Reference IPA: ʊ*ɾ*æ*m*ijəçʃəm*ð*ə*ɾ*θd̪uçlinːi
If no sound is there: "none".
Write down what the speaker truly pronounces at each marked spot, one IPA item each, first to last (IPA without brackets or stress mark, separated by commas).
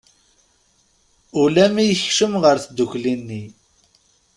l, m, ʁ, ɾ